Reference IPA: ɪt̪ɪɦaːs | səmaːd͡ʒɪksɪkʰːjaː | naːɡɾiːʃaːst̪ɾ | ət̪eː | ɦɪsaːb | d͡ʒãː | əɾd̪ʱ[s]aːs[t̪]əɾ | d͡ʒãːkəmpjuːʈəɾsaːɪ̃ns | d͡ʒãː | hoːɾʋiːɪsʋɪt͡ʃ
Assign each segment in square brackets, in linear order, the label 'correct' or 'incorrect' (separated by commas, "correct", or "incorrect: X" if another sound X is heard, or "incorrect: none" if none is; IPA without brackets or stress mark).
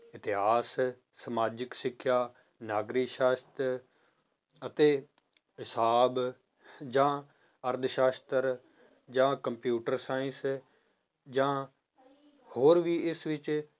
incorrect: ʃ, correct